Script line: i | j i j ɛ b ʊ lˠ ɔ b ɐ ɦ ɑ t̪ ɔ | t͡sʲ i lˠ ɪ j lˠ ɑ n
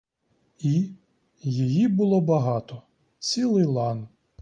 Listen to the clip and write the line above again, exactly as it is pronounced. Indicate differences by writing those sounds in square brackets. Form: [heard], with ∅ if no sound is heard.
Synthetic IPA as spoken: i | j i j [i] b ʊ lˠ ɔ b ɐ ɦ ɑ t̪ ɔ | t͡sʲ i lˠ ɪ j lˠ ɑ n